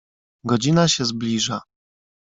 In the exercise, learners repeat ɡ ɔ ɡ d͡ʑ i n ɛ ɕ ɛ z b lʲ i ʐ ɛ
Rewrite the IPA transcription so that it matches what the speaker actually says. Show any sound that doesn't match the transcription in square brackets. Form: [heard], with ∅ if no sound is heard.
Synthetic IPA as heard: ɡ ɔ [∅] d͡ʑ i n [a] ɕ ɛ z b lʲ i ʐ [a]